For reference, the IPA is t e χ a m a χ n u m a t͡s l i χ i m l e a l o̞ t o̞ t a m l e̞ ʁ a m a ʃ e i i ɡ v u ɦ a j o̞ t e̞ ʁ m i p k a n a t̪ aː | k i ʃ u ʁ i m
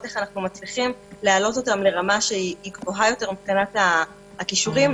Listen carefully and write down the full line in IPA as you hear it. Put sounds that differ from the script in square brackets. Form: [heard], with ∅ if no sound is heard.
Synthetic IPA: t e χ a [n] a χ n u m a t͡s l i χ i m l e a l o̞ t o̞ t a m l e̞ ʁ a m a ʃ e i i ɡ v [o] ɦ a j o̞ t e̞ ʁ m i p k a n a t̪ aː | k i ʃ u ʁ i m